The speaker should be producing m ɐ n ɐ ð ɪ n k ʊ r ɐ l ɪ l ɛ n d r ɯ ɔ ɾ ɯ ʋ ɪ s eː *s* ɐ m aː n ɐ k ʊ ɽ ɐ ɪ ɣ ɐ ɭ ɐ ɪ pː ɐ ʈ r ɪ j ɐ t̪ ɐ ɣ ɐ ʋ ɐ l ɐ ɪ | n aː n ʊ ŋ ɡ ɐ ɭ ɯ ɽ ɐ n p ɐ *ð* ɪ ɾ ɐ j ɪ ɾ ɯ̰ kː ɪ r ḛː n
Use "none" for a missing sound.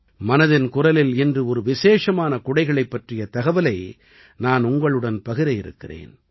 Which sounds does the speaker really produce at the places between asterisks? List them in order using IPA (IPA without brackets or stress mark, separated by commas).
ʂ, ɣ